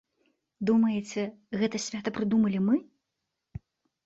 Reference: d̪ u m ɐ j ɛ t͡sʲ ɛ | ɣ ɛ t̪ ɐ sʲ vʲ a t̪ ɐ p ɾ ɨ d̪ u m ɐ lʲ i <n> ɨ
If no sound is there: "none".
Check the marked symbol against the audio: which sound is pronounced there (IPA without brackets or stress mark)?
m